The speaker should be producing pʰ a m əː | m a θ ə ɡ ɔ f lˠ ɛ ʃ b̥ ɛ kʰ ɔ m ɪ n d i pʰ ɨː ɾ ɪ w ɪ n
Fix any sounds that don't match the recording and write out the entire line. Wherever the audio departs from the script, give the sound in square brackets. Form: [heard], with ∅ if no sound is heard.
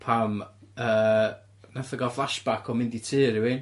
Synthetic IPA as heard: pʰ a m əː | [n] a θ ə ɡ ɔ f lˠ [a] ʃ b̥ [a] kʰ ɔ m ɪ n d i [tʰ] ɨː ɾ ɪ w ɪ n